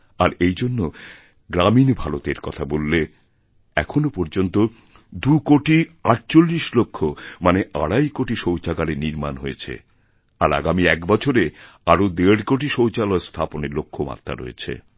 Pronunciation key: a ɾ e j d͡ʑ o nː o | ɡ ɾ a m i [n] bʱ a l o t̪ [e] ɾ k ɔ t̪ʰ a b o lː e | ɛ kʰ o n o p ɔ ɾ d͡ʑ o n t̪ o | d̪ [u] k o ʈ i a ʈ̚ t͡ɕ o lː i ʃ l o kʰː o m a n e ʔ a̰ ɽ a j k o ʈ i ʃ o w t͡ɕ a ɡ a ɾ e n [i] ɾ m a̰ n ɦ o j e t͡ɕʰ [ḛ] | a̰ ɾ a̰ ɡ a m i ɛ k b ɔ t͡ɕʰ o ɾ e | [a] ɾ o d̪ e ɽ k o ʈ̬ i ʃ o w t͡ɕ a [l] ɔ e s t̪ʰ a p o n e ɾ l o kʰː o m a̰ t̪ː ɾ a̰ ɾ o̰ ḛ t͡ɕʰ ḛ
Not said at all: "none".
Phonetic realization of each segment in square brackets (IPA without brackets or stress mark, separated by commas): n, e, u, i, ḛ, a, l